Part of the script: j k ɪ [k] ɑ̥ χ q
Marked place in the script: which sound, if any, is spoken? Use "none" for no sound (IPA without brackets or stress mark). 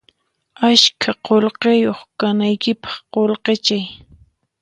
p